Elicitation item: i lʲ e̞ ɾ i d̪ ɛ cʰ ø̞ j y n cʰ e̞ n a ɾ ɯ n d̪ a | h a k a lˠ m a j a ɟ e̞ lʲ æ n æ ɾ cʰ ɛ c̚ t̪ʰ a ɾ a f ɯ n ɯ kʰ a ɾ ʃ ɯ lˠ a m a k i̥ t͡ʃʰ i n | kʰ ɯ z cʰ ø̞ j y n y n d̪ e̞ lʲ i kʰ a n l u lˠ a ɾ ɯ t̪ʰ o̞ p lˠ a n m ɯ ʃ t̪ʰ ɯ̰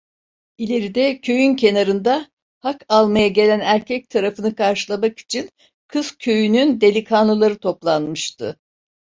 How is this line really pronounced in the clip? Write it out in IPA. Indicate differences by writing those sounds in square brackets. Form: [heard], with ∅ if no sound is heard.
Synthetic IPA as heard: i lʲ e̞ ɾ i d̪ ɛ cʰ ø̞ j y n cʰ e̞ n a ɾ ɯ n d̪ a | h a k a lˠ m a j a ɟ e̞ lʲ æ n æ ɾ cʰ ɛ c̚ t̪ʰ a ɾ a f ɯ n ɯ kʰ a ɾ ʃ ɯ lˠ a m a k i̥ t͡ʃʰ i n | kʰ ɯ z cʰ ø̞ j y n y n d̪ e̞ lʲ i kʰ a n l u lˠ a ɾ ɯ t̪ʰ o̞ p lˠ a n m ɯ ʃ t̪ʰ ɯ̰